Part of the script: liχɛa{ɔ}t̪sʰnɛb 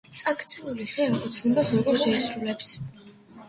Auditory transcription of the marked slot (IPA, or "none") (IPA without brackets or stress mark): ɔ